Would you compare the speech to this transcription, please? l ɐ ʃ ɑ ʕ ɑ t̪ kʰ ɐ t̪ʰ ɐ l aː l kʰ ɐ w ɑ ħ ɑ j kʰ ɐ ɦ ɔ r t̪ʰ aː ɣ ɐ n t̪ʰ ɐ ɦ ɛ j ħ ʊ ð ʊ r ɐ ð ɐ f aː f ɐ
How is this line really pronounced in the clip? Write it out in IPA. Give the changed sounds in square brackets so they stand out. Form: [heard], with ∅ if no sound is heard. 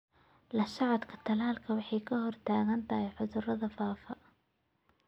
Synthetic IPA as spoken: l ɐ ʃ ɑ ʕ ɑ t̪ kʰ ɐ t̪ʰ ɐ l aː l kʰ ɐ w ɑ ħ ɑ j kʰ ɐ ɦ ɔ r t̪ʰ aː ɣ ɐ n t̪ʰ ɐ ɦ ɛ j ħ ʊ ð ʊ r ɐ ð ɐ f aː f ɐ